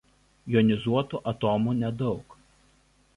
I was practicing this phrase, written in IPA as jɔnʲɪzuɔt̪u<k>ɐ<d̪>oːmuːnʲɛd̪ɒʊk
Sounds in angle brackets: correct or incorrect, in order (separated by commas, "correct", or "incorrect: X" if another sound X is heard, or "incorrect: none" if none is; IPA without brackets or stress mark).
incorrect: ʔ, incorrect: t̪